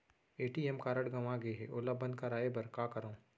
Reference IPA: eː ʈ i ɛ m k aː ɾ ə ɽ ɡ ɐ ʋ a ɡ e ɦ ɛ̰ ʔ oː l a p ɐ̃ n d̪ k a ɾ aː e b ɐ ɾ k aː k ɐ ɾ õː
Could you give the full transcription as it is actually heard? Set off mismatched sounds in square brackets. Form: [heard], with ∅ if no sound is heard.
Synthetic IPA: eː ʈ i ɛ m k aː ɾ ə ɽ ɡ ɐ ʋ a ɡ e ɦ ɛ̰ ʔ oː l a [b] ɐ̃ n d̪ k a ɾ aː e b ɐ ɾ k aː k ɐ ɾ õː